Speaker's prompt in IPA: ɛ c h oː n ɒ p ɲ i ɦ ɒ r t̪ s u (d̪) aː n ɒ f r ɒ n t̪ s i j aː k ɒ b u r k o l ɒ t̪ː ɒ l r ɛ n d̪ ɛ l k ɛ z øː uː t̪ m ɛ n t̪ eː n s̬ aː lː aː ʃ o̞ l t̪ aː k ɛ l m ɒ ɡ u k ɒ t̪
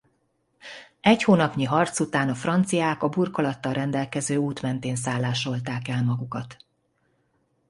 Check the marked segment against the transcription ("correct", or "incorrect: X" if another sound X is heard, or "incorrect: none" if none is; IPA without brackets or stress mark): incorrect: t̪